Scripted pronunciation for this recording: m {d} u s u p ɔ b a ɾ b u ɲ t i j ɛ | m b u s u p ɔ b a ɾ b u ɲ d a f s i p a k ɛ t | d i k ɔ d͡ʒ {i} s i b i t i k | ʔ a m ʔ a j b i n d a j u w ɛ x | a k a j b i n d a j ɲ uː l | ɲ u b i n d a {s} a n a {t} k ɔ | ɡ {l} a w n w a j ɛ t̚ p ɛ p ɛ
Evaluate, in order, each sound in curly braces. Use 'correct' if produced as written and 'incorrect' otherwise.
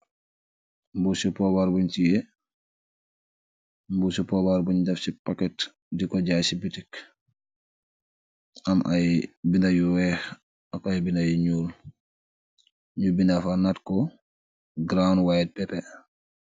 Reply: incorrect: b, incorrect: a, incorrect: f, correct, incorrect: ɾ

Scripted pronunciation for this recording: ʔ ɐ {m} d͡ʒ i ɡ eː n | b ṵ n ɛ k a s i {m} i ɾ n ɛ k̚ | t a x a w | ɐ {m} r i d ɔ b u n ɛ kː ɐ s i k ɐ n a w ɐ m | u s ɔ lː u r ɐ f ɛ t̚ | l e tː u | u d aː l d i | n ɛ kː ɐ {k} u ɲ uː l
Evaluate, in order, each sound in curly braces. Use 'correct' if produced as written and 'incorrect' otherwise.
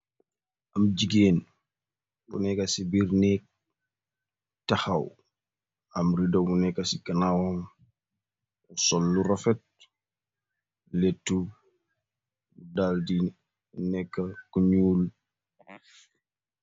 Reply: correct, incorrect: b, correct, correct

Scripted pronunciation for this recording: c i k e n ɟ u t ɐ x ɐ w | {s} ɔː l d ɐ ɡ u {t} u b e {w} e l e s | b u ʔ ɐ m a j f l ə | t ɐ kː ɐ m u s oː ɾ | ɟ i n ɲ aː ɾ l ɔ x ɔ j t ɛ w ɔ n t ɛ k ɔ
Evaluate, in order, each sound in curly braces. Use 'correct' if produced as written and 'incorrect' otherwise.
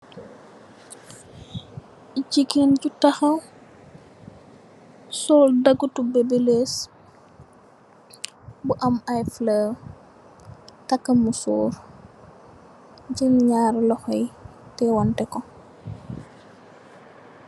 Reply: correct, correct, incorrect: b

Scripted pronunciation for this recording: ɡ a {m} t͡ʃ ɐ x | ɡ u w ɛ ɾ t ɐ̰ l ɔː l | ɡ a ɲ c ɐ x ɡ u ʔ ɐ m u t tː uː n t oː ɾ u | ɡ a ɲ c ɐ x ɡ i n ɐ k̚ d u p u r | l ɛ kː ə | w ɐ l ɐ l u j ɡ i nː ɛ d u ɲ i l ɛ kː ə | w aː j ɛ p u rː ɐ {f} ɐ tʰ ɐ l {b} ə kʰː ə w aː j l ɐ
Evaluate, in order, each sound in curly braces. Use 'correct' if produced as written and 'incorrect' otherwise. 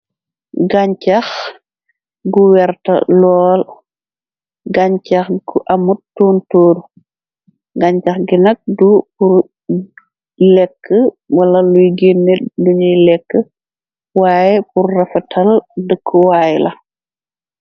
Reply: incorrect: ɲ, correct, incorrect: d

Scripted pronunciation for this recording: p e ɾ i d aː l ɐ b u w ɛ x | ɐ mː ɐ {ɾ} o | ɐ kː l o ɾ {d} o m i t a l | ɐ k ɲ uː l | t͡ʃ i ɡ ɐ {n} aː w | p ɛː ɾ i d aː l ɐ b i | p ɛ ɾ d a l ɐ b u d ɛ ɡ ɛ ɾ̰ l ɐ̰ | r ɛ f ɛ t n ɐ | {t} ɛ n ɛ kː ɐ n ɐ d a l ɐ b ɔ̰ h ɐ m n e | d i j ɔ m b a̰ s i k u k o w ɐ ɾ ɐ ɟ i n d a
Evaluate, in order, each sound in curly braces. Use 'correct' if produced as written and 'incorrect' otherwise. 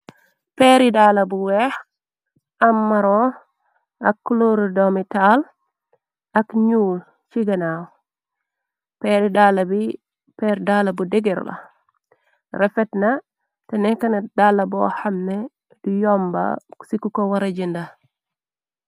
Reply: correct, correct, correct, correct

